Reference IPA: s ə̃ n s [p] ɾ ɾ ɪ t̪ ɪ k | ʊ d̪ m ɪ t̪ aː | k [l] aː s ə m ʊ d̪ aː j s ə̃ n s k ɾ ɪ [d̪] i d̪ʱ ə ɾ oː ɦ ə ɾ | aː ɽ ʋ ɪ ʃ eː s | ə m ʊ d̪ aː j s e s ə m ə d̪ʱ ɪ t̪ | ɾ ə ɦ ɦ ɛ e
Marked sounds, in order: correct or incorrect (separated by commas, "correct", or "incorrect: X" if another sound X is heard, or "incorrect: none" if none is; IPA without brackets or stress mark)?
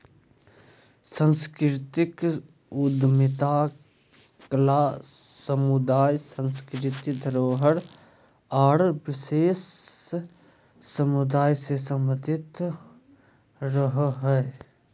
incorrect: k, correct, incorrect: t̪